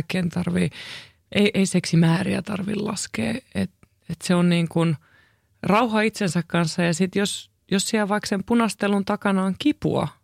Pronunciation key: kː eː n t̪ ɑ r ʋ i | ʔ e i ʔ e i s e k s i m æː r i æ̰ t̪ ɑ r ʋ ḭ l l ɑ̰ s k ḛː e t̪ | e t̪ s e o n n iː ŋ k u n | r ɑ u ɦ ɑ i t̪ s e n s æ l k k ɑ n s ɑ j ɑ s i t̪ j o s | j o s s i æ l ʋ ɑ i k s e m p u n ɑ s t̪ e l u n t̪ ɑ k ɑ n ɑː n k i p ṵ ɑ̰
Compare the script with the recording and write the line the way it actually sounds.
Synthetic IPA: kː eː n t̪ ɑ r ʋ i | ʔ e i ʔ e i s e k s i m æː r i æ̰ t̪ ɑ r ʋ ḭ l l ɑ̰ s k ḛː e t̪ | e t̪ s e o n n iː ŋ k u n | r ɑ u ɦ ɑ i t̪ s e n s æ k k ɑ n sː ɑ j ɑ s i t̪ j o s | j o s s i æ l ʋ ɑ i k s e m p u n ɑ s t̪ e l u n t̪ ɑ k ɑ n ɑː ŋ k i p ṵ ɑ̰